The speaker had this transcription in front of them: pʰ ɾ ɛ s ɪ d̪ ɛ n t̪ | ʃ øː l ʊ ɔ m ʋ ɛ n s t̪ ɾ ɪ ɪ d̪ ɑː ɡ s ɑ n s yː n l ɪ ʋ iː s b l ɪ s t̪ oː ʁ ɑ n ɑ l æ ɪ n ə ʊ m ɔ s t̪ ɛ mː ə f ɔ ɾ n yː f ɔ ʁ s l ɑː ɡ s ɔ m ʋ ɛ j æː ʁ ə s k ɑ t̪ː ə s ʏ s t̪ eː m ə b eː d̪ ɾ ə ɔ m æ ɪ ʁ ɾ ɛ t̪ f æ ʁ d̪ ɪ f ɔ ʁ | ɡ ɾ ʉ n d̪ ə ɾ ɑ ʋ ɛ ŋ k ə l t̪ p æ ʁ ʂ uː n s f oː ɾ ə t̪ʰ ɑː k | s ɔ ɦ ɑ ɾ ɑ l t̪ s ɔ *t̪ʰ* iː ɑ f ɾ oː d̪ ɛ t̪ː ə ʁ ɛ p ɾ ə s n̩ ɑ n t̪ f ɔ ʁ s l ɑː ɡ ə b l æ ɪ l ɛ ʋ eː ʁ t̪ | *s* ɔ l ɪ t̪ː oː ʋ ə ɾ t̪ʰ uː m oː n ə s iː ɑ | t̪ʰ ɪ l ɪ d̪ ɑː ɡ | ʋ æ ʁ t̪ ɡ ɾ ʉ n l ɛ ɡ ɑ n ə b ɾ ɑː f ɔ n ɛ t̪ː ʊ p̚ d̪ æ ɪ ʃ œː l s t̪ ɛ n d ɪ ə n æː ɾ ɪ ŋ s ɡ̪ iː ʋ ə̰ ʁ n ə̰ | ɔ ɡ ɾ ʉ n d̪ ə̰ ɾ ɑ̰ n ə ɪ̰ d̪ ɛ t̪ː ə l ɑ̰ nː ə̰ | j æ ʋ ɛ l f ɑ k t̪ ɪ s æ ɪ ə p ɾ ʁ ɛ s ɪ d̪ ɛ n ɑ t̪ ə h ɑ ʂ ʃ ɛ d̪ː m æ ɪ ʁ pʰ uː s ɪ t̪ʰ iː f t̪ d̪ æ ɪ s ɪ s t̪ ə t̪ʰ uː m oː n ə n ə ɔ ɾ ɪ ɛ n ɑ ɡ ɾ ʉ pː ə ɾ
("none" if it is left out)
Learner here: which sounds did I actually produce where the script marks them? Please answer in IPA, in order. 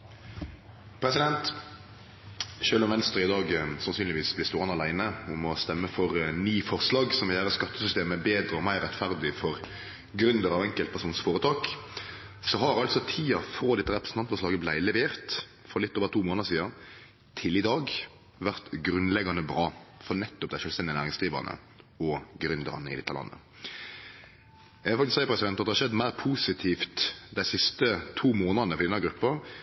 t̪ʰ, f

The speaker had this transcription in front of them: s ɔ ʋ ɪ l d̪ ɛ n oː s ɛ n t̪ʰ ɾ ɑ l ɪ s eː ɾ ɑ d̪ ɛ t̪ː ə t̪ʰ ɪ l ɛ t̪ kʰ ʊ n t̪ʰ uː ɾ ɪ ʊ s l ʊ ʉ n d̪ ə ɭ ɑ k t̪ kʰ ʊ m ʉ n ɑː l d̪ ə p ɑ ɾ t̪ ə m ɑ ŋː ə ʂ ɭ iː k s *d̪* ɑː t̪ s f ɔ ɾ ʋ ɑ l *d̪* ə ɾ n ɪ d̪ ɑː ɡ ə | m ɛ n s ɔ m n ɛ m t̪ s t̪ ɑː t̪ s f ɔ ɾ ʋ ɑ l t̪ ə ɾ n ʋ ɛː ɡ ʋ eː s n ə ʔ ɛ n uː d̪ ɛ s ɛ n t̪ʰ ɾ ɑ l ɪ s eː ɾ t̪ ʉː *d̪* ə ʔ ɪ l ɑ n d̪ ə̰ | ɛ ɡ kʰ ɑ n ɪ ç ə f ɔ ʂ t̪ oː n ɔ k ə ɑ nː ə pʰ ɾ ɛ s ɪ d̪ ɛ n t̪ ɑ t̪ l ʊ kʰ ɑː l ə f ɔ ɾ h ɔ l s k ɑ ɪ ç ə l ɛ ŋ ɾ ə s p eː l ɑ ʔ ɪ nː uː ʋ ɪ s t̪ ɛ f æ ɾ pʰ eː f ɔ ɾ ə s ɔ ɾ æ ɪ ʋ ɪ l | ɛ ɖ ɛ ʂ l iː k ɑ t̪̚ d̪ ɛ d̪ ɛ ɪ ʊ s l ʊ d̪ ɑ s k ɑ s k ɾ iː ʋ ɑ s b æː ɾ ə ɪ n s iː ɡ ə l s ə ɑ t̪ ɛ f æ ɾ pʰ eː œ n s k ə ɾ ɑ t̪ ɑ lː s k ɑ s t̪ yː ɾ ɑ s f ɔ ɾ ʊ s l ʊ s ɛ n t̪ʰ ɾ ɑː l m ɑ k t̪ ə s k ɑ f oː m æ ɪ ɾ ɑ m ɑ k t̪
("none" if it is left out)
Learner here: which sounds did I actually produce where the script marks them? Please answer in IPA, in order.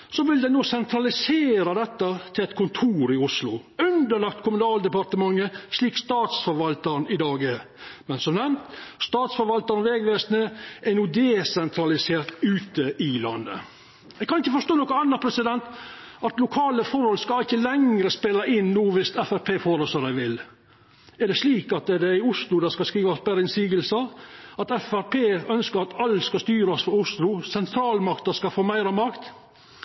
t̪, t̪, t̪

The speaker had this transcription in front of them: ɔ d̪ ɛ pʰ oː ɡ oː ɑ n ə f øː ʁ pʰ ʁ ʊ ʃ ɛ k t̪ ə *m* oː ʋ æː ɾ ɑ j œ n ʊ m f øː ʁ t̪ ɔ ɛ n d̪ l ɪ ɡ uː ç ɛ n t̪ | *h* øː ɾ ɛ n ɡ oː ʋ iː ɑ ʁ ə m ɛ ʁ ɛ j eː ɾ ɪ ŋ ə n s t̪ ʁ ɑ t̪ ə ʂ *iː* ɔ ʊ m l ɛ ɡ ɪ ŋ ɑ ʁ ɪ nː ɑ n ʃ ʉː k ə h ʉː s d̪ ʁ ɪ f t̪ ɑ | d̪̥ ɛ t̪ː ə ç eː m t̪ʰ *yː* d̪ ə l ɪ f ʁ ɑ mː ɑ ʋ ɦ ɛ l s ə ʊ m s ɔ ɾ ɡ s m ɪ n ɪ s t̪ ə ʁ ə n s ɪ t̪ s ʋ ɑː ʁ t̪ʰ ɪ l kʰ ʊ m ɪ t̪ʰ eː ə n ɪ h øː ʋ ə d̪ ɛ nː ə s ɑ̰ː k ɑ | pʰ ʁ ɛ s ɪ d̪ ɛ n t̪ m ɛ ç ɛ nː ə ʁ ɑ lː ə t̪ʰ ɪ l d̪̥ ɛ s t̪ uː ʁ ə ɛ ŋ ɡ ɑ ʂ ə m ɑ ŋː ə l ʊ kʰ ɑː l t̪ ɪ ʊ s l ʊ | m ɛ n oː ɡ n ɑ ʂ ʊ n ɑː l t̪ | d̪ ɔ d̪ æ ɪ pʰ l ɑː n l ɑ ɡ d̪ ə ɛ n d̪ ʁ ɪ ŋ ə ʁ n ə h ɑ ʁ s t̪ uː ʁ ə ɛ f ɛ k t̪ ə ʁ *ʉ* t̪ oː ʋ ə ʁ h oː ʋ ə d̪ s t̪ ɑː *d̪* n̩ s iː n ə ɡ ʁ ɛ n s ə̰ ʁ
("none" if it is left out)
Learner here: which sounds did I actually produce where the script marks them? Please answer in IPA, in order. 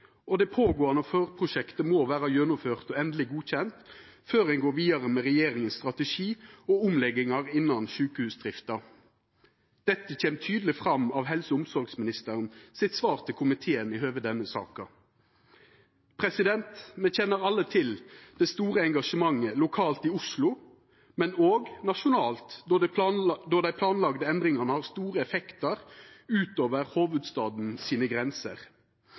m, f, iː, yː, ʉː, d̪

